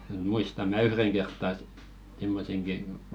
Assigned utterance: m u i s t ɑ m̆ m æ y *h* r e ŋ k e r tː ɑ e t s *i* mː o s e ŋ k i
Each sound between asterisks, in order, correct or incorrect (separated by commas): correct, correct